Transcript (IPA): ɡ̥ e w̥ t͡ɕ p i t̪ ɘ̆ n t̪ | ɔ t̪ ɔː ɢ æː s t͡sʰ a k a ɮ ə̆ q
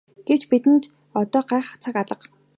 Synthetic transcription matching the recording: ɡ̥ e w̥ t͡ɕ p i t̪ ɘ̆ n t̪ | ɔ t̪ ɔː ɢ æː χ t͡sʰ a k a ɮ ə̆ q